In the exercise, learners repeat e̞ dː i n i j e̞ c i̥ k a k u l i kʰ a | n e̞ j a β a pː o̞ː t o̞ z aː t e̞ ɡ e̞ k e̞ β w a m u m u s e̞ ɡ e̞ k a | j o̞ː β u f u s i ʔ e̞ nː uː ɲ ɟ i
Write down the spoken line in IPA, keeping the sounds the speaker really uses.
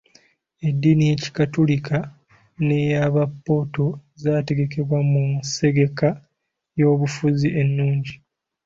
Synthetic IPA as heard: e̞ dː i n i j e̞ c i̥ k a t u l i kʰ a | n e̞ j a β a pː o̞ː t o̞ z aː t e̞ ɡ e̞ k e̞ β w a m u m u s e̞ ɡ e̞ k a | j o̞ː β u f u z i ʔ e̞ nː uː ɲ ɟ i